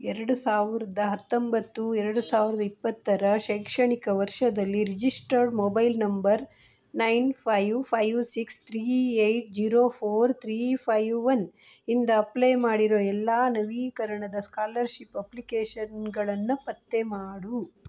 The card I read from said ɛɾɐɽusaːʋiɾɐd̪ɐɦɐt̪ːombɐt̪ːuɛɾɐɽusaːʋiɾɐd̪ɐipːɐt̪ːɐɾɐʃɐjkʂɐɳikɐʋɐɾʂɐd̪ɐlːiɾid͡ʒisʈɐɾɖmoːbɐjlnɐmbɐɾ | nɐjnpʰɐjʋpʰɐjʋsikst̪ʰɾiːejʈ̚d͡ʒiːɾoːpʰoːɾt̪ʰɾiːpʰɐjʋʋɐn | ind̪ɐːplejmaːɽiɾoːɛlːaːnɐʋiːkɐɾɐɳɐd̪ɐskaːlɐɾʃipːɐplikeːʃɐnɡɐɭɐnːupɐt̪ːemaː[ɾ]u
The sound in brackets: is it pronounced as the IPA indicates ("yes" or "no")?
no